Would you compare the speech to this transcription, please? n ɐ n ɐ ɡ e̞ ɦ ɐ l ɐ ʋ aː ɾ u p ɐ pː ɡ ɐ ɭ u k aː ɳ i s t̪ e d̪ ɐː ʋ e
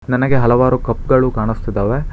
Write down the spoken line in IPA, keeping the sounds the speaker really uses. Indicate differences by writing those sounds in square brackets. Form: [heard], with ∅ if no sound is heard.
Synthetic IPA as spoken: n ɐ n ɐ ɡ e̞ ɦ ɐ l ɐ ʋ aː ɾ u [k] ɐ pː ɡ ɐ ɭ u k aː ɳ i s t̪ [i] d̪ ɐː ʋ e